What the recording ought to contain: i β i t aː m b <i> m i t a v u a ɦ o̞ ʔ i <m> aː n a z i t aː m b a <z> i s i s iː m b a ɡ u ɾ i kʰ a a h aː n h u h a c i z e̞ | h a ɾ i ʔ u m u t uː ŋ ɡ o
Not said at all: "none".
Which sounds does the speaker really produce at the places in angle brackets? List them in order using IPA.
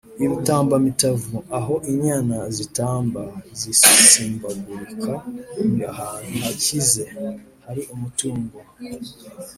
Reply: a, ɲ, z

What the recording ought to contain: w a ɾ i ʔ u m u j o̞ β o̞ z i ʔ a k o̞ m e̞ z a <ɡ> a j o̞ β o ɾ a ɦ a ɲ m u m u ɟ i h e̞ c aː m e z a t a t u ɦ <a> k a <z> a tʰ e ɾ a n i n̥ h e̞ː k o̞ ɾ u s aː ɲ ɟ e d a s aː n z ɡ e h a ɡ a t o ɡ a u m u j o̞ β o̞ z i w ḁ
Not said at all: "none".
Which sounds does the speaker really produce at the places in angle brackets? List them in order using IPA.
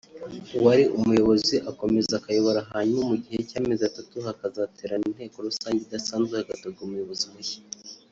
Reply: k, a, z

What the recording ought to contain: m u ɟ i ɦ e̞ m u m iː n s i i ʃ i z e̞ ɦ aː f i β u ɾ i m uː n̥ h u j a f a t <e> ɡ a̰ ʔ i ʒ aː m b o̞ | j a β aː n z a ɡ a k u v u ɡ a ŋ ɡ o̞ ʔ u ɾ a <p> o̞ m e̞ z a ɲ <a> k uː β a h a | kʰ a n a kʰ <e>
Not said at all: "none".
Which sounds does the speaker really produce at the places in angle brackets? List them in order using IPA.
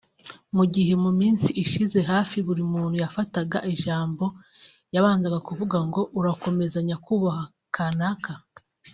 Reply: a, k, a, a

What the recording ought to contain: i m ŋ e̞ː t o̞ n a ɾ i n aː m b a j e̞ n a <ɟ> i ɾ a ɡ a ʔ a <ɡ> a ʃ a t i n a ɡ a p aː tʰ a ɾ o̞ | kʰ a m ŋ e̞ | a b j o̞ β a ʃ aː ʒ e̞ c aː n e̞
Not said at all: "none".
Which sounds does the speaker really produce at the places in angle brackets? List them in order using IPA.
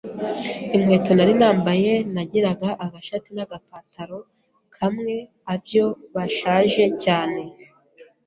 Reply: ɟ, ɡ

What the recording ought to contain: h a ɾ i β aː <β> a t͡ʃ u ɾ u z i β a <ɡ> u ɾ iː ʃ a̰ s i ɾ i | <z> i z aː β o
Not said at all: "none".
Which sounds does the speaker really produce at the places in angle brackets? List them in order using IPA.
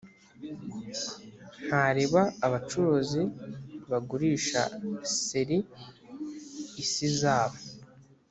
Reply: β, ɡ, s

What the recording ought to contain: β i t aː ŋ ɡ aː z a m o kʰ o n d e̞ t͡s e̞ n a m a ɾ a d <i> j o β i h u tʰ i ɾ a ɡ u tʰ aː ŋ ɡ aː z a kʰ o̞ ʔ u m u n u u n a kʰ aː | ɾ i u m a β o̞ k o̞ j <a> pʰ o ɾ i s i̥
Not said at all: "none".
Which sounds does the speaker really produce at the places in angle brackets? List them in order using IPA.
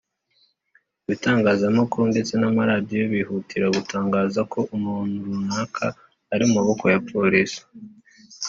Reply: i, a

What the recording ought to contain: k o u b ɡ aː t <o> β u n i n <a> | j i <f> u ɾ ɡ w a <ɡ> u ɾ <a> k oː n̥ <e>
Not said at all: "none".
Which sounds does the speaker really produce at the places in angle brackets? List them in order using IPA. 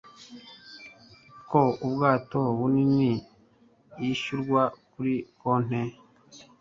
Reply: o, i, ʃ, k, i, e

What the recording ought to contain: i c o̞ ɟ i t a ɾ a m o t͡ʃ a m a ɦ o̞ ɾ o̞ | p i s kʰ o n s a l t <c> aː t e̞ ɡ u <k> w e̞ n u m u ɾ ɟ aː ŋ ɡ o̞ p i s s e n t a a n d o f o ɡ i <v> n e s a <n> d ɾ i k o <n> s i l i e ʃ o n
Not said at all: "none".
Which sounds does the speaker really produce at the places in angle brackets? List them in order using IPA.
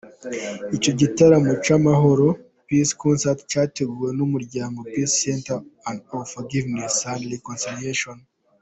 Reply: c, none, v, n, n

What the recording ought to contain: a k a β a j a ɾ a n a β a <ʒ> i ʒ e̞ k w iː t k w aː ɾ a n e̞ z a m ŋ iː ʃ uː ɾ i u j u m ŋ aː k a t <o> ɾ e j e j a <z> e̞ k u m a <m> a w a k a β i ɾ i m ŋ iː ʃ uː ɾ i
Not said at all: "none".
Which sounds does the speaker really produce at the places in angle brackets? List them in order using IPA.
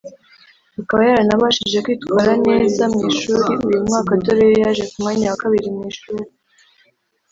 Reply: ʃ, o, ʒ, ɲ

